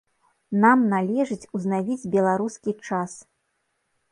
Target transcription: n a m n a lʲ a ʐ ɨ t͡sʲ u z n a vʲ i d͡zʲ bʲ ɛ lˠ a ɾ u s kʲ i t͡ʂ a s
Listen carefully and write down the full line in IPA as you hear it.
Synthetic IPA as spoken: n a m n a lʲ ɛ ʐ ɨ t͡sʲ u z n a vʲ i d͡zʲ bʲ ɛ lˠ a ɾ u s kʲ i t͡ʂ a s